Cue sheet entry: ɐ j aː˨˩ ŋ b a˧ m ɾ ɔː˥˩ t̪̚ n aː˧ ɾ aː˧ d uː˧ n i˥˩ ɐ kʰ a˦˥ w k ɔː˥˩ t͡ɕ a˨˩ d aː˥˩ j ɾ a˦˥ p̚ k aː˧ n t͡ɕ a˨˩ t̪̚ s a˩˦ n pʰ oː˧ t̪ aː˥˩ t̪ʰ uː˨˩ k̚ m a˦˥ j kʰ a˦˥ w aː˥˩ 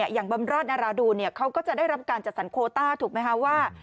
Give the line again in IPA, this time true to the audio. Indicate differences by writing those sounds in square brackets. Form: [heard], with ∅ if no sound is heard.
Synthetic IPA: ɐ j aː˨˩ ŋ b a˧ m ɾ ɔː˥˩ t̪̚ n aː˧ ɾ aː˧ d uː˧ n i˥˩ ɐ kʰ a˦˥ w k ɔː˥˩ t͡ɕ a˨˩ d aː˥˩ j ɾ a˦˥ p̚ k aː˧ n t͡ɕ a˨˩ t̪̚ s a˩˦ n [kʰ] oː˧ t̪ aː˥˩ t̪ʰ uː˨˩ k̚ m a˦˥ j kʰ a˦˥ w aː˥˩